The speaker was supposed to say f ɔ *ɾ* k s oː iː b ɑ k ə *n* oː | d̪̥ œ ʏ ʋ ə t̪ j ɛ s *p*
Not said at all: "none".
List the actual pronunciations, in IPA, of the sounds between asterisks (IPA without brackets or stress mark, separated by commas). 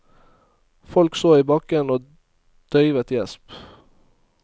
l, n, p